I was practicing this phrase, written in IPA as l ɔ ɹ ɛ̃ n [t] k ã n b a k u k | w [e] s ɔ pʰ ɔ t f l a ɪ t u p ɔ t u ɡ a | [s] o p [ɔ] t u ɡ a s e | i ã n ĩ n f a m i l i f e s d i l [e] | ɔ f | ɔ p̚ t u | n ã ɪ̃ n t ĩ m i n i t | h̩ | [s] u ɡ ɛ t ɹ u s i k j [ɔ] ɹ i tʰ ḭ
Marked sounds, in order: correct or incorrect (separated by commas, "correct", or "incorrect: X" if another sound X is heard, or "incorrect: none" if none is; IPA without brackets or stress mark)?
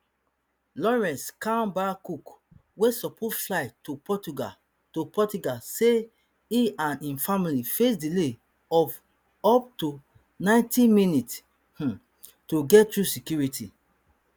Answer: incorrect: s, correct, incorrect: t, correct, correct, incorrect: t, incorrect: u